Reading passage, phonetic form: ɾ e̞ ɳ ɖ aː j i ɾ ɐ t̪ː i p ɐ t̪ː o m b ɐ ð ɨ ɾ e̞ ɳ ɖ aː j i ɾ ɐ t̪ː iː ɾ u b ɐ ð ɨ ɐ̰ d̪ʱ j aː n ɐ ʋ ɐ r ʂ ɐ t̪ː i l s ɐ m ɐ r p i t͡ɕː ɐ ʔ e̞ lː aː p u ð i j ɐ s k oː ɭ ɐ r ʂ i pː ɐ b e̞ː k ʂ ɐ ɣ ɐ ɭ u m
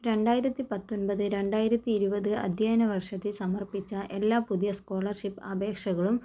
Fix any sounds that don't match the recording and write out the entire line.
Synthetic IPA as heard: ɾ e̞ ɳ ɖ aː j i ɾ ɐ t̪ː i p ɐ t̪ː o n b ɐ ð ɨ ɾ e̞ ɳ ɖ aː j i ɾ ɐ t̪ː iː ɾ u b ɐ ð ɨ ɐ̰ d̪ʱ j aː n ɐ ʋ ɐ r ʂ ɐ t̪ː i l s ɐ m ɐ r p i t͡ɕː ɐ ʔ e̞ lː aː p u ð i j ɐ s k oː ɭ ɐ r ʂ i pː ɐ b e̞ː k ʂ ɐ ɣ ɐ ɭ u m